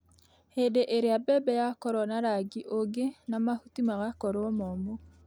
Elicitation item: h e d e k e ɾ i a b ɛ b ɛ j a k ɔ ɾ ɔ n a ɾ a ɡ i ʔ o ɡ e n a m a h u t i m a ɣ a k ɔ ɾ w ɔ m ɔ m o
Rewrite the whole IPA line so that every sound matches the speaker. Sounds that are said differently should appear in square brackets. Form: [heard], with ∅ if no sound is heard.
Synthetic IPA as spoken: h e d e [ʔ] e ɾ [e] a b ɛ b ɛ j a k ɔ ɾ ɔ n a ɾ a ɡ i ʔ o ɡ e n a m a h u t i m a ɣ a k ɔ ɾ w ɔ m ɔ m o